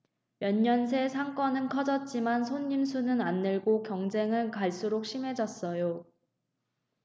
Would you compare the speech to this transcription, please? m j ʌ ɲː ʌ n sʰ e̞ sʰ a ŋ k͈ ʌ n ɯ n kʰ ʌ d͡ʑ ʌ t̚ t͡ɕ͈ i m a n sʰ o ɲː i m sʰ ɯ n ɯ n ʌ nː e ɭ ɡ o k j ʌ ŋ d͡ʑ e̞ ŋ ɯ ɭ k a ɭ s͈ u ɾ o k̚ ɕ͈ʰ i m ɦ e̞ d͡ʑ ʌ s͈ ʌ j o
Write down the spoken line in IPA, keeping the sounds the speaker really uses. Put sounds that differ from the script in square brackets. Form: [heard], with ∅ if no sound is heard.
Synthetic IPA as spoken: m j ʌ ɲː ʌ n sʰ e̞ sʰ a ŋ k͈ ʌ n ɯ n kʰ ʌ d͡ʑ ʌ t̚ t͡ɕ͈ i m a n sʰ o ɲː i m sʰ [u] n ɯ n [a] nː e ɭ ɡ o k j ʌ ŋ d͡ʑ e̞ ŋ ɯ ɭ k a ɭ s͈ u ɾ o k̚ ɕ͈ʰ i m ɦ e̞ d͡ʑ ʌ s͈ ʌ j o